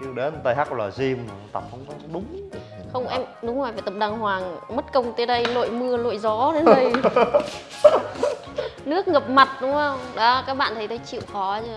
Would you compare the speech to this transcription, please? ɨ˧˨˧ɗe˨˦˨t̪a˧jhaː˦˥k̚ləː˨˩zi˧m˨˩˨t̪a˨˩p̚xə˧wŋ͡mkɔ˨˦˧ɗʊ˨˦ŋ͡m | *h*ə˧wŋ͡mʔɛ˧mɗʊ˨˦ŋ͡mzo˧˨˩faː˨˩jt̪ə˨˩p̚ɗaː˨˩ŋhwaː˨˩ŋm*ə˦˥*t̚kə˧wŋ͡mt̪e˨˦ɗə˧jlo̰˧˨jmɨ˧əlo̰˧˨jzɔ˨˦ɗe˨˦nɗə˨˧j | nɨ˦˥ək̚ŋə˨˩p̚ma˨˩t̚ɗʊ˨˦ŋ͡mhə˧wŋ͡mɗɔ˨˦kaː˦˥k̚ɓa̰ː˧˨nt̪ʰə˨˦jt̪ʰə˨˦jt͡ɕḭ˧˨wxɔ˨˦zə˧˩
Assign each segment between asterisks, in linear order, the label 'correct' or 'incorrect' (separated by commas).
incorrect, correct